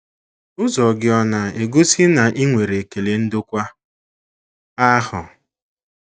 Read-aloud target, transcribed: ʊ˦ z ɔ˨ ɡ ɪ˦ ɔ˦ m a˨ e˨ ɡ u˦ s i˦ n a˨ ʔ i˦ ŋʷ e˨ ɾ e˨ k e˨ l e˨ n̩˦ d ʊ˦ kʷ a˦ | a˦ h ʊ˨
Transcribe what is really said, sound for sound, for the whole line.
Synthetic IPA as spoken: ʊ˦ z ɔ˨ ɡ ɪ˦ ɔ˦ n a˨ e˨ ɡ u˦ s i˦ n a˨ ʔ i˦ ŋʷ e˨ ɾ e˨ k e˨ l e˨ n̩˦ d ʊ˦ kʷ a˦ | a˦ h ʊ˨

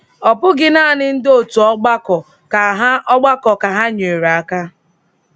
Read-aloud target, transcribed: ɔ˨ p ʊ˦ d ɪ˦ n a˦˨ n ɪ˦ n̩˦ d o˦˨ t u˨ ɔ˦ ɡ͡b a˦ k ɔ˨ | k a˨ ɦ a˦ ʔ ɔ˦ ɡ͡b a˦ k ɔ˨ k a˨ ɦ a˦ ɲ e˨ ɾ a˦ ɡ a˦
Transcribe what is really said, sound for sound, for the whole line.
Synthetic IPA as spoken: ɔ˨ p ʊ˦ ɡ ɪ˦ n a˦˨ n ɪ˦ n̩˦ d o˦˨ t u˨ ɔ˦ ɡ͡b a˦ k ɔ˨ | k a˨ ɦ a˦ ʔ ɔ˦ ɡ͡b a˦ k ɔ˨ k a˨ ɦ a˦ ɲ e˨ ɾ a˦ k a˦

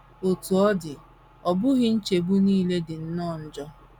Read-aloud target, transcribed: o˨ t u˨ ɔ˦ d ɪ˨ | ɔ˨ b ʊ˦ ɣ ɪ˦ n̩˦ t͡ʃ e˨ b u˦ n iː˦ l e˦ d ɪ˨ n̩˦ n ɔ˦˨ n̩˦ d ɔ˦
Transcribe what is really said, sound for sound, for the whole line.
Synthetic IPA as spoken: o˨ t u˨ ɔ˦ d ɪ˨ | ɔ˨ b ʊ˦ ɣ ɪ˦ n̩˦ t͡ʃ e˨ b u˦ n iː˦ l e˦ d ɪ˨ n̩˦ n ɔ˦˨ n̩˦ d͡ʒ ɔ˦

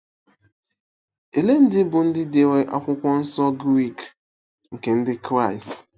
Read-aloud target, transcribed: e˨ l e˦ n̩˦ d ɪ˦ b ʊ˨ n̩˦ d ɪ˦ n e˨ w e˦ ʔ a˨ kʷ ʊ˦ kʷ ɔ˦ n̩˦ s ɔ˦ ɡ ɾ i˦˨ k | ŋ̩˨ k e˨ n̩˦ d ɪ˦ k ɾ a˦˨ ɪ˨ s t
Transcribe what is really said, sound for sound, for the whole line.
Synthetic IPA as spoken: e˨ l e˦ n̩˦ d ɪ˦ b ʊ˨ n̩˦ d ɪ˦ d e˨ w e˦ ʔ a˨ kʷ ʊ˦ kʷ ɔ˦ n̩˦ s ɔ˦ ɡ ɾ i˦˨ k | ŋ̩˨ k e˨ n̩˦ d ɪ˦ k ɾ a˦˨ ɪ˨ s t

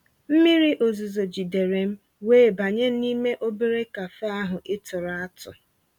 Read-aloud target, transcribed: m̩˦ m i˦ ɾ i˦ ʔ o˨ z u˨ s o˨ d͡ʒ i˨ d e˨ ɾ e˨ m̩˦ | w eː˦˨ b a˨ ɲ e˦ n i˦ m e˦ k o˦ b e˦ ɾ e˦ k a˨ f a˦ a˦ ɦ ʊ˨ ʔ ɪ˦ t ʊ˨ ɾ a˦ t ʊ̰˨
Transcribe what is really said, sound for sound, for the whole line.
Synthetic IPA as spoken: m̩˦ m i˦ ɾ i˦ ʔ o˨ z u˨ z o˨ d͡ʒ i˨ d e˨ ɾ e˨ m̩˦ | w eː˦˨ b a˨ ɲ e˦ n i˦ m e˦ ʔ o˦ b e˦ ɾ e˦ k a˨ f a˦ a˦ ɦ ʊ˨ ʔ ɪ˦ t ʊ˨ ɾ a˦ t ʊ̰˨

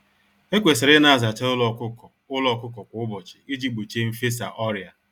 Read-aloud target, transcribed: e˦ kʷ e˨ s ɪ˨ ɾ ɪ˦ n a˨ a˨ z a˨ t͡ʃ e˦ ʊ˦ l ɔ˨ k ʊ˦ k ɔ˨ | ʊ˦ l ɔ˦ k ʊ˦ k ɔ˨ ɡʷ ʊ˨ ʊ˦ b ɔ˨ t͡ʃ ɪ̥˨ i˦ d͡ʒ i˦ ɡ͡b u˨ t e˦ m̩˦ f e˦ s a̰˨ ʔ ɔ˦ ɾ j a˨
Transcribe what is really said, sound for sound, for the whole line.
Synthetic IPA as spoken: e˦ kʷ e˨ s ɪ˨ ɾ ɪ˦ n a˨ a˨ z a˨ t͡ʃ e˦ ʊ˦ l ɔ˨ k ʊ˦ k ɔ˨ | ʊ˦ l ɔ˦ k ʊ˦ k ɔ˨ kʷ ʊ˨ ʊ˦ b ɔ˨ t͡ʃ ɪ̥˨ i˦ d͡ʒ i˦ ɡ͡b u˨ t͡ʃ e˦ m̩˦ f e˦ s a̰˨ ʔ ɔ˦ ɾ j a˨

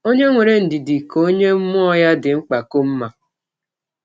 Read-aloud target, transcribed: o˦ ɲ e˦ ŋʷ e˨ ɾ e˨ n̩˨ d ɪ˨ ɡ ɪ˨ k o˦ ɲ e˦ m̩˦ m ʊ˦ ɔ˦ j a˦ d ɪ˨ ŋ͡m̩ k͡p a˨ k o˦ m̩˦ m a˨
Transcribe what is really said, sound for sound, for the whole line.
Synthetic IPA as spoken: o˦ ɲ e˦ ŋʷ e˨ ɾ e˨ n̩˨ d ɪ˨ d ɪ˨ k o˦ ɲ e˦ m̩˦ m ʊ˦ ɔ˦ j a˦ d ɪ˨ ŋ͡m̩ k͡p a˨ k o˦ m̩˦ m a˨

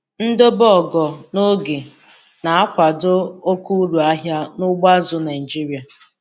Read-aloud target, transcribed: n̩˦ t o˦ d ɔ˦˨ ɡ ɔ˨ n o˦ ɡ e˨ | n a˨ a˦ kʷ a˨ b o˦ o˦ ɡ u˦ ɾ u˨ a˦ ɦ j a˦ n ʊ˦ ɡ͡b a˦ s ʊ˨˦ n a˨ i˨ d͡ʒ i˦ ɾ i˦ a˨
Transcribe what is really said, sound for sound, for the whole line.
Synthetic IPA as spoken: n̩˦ d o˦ b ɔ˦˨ ɡ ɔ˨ n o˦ ɡ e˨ | n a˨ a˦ kʷ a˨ d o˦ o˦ k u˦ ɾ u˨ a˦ ɦ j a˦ n ʊ˦ ɡ͡b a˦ z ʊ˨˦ n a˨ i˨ d͡ʒ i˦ ɾ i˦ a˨

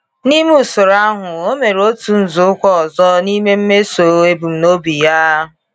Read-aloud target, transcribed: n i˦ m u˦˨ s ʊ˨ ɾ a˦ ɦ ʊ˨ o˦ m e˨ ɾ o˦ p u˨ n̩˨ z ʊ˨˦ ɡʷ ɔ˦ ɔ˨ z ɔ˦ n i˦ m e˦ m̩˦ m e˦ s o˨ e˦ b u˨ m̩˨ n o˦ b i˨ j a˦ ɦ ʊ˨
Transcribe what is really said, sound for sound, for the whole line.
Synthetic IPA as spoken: n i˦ m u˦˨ s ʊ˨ ɾ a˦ ɦ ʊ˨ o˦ m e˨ ɾ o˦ t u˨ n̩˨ z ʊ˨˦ kʷ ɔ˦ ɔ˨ z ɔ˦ n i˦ m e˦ m̩˦ m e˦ s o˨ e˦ b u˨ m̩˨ n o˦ b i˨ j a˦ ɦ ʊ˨

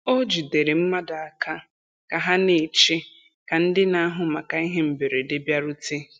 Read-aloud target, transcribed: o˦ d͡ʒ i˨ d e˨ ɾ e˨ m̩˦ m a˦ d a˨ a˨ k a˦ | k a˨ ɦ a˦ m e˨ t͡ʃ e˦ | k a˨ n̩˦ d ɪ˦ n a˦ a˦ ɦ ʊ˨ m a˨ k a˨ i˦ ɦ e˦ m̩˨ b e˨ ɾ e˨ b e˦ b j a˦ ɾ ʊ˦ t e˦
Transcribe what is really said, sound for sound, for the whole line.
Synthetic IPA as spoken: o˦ d͡ʒ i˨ d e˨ ɾ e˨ m̩˦ m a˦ d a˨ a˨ k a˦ | k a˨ ɦ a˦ n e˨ t͡ʃ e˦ | k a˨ n̩˦ d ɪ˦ n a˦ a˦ ɦ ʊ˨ m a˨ k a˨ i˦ ɦ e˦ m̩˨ b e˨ ɾ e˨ d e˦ b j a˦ ɾ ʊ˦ t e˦

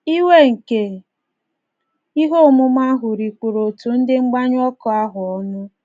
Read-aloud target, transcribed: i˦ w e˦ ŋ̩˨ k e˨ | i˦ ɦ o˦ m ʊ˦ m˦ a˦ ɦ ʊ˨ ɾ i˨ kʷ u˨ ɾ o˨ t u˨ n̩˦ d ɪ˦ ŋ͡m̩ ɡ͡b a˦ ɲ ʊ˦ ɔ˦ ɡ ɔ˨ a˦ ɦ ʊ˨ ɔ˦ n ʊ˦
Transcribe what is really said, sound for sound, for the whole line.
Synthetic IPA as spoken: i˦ w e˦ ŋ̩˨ k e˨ | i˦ ɦ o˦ m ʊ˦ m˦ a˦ ɦ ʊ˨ ɾ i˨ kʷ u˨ ɾ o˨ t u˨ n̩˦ d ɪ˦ ŋ͡m̩ ɡ͡b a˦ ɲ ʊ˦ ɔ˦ k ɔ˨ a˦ ɦ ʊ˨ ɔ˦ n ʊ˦

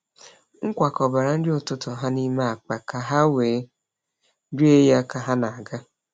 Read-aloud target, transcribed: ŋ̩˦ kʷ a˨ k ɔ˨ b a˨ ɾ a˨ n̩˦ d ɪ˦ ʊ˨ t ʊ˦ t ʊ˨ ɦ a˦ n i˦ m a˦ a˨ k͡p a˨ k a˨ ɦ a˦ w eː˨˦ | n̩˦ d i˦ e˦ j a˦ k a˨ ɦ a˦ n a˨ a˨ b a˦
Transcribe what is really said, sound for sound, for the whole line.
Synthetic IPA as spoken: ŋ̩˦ kʷ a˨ k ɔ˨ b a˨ ɾ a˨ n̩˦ d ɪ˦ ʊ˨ t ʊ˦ t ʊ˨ ɦ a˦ n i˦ m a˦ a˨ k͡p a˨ k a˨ ɦ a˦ w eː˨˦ | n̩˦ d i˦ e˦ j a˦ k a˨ ɦ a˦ n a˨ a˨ ɡ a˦

